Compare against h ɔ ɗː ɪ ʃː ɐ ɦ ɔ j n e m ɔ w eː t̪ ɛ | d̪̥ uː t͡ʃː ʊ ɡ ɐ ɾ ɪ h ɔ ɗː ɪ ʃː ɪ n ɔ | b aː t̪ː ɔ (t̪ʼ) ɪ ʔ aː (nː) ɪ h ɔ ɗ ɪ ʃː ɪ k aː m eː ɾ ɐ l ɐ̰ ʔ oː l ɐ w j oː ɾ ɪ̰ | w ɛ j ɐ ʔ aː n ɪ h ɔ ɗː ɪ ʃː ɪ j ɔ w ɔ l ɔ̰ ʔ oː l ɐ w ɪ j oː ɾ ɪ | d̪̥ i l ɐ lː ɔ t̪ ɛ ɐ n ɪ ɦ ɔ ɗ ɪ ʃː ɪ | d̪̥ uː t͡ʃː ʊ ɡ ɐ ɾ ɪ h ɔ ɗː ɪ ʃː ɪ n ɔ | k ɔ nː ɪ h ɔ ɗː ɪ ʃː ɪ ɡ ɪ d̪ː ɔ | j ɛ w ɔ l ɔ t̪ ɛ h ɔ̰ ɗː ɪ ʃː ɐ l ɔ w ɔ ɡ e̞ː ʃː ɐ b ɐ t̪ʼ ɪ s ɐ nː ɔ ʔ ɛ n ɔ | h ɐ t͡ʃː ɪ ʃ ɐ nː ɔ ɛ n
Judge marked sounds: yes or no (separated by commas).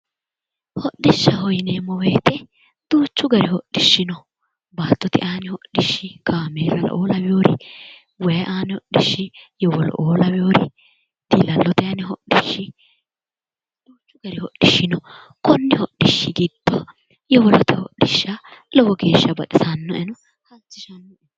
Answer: no, no